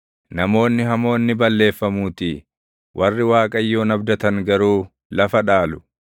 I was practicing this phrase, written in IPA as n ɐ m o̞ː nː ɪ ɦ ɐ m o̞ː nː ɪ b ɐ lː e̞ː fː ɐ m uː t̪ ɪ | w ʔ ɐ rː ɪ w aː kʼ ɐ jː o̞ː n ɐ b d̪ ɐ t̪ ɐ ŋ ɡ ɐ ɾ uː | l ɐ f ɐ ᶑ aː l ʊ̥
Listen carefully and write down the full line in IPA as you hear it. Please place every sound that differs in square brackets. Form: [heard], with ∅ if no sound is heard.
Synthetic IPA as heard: n ɐ m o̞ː nː ɪ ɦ ɐ m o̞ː nː ɪ b ɐ lː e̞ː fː ɐ m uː t̪ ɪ | w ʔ ɐ rː ɪ w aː kʼ ɐ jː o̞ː n ɐ b d̪ ɐ t̪ ɐ ŋ ɡ ɐ ɾ uː | l ɐ f ɐ ᶑ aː l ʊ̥